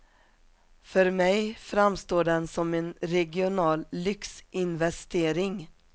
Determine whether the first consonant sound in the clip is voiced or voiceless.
voiceless